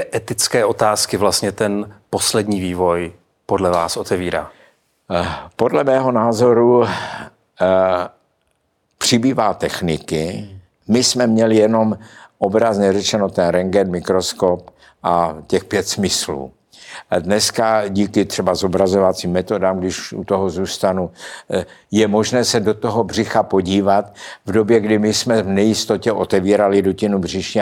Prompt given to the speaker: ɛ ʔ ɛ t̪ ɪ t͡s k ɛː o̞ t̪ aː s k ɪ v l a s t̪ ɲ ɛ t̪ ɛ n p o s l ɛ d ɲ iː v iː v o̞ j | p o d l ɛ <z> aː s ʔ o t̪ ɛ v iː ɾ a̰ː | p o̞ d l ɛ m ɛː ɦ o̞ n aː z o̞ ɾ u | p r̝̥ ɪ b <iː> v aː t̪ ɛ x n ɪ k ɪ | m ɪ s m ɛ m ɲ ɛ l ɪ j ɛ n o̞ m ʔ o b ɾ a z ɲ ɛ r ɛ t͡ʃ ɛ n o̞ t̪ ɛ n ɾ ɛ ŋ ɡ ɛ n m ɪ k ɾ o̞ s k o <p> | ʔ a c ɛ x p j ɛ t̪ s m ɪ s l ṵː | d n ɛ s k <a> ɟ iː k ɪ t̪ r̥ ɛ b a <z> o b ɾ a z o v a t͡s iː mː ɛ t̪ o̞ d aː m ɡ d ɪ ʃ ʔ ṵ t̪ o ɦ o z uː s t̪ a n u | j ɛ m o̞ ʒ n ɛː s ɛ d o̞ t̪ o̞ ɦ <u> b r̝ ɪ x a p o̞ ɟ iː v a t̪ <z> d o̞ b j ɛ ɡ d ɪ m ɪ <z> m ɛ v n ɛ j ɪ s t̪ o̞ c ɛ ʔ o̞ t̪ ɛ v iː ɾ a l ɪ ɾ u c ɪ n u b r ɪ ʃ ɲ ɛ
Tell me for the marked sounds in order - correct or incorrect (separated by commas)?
incorrect, correct, correct, correct, correct, incorrect, incorrect, incorrect